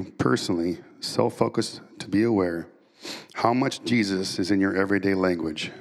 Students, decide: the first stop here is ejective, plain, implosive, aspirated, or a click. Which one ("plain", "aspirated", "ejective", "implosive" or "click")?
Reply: aspirated